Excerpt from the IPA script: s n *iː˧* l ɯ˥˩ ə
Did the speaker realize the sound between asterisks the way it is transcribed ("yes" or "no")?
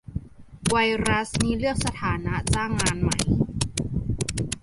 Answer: no